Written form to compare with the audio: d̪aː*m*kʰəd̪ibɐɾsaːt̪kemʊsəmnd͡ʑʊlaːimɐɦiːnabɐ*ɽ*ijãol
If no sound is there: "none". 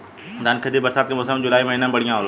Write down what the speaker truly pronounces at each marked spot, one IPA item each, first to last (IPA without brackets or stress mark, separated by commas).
n, ɽ